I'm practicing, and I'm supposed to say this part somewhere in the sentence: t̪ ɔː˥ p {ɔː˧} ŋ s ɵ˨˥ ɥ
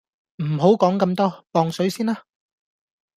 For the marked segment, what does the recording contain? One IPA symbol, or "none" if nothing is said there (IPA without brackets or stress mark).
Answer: ɔː˧